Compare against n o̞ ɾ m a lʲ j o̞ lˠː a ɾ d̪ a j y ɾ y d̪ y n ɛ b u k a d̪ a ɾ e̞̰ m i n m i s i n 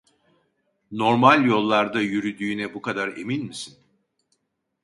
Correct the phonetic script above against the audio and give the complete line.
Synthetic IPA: n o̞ ɾ m a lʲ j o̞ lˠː a ɾ d̪ a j y ɾ y d̪ yː n ɛ b u k a d̪ a ɾ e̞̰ m i n m i s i n